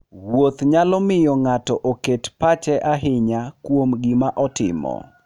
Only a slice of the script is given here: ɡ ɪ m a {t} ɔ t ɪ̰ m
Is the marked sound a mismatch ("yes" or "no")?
yes